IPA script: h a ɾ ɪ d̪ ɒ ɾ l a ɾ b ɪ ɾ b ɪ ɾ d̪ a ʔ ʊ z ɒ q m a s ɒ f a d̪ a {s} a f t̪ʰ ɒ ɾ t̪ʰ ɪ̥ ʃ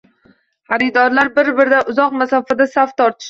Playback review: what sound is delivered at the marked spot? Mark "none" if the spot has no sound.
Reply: s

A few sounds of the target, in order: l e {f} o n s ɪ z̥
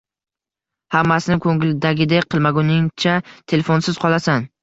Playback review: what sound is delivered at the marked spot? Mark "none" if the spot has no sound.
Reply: f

